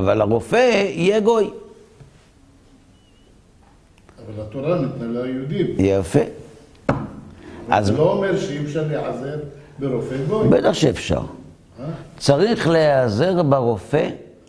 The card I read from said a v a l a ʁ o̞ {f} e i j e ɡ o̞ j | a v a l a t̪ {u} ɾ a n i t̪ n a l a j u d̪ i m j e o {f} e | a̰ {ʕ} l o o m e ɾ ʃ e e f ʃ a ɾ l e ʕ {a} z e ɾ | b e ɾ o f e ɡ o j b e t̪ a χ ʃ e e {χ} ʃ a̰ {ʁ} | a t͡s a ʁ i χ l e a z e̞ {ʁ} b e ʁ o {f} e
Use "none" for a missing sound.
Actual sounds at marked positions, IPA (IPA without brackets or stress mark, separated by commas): f, o, f, z, a, f, ʁ, ʁ, f